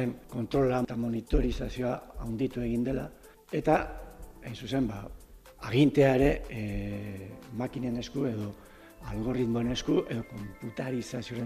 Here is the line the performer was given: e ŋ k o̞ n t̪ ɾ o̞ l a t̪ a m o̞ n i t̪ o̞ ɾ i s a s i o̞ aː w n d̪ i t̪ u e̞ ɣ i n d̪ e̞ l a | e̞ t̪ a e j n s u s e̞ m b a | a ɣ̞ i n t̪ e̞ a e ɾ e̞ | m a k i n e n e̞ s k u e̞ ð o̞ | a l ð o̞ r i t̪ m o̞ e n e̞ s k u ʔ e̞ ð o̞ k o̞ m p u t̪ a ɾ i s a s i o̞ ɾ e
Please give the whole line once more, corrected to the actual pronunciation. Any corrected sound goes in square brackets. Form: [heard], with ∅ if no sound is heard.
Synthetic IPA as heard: e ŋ k o̞ n t̪ ɾ o̞ l a t̪ a m o̞ n i t̪ o̞ ɾ i s a s i o̞ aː w n d̪ i t̪ u e̞ ɣ i n d̪ e̞ l a | e̞ t̪ a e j n s u s e̞ m b a | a ɣ̞ i n t̪ e̞ a e ɾ e̞ | m a k i n e n e̞ s k u e̞ ð o̞ | a l [ɣ] o̞ r i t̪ m o̞ e n e̞ s k u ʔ e̞ ð o̞ k o̞ m p u t̪ a ɾ i s a s i o̞ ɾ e